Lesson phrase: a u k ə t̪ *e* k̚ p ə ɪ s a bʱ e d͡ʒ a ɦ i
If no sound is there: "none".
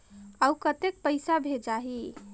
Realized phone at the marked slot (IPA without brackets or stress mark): e